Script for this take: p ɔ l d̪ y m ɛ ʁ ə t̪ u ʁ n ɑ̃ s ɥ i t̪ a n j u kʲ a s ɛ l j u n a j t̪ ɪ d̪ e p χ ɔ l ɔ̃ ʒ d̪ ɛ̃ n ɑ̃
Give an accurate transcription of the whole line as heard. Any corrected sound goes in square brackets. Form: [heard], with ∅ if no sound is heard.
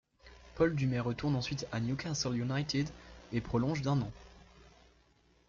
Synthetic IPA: p ɔ l d̪ y m ɛ ʁ ə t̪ u ʁ n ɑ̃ s ɥ i t̪ a n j u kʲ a s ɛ l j u n a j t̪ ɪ d̪ e p χ ɔ l ɔ̃ ʒ d̪ ɛ̃ n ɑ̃